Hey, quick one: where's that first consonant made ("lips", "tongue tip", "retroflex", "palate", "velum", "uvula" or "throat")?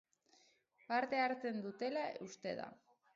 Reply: lips